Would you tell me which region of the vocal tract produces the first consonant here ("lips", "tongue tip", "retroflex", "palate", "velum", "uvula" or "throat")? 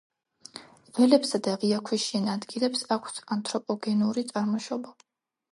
lips